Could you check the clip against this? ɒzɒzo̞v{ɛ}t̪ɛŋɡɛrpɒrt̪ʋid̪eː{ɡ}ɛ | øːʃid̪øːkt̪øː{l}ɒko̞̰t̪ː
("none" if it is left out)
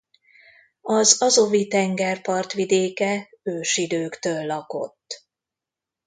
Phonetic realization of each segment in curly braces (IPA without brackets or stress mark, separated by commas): i, k, lː